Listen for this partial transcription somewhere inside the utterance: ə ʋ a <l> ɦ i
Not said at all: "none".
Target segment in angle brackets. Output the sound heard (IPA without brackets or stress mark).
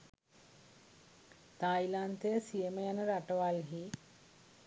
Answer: l